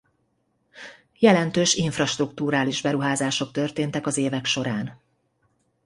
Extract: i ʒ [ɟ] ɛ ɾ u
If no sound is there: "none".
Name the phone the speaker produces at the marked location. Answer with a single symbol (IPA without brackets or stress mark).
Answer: b